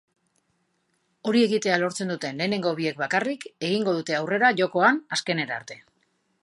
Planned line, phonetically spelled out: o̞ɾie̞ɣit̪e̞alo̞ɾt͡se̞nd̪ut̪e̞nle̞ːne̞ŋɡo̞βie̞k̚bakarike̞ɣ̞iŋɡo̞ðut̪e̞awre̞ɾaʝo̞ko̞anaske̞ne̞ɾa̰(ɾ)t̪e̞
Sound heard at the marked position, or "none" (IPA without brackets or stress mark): ɾ